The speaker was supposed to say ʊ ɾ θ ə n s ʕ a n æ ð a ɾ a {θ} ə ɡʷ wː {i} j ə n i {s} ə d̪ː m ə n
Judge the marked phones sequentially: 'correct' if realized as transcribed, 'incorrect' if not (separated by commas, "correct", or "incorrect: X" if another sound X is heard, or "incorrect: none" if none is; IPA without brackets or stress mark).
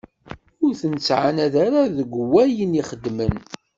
incorrect: ð, incorrect: æ, incorrect: χ